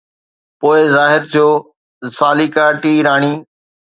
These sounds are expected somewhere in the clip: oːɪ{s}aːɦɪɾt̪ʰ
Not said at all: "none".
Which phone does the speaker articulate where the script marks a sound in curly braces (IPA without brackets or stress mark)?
z